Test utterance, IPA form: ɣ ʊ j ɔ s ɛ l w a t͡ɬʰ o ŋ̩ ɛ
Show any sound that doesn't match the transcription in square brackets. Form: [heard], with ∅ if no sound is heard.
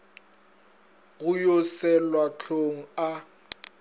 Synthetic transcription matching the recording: ɣ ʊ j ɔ s ɛ l w a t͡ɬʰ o ŋ̩ [a]